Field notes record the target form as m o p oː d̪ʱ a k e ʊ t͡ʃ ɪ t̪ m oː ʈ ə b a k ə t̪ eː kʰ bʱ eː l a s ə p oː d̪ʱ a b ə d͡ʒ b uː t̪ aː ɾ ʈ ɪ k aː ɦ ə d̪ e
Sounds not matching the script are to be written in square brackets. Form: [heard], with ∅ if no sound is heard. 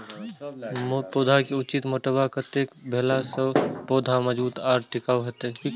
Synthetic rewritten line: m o p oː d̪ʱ a k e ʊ t͡ʃ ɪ t̪ m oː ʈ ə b a k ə t̪ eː [k] bʱ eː l a s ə p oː d̪ʱ a [m] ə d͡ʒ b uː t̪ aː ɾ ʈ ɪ k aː ɦ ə [t̪] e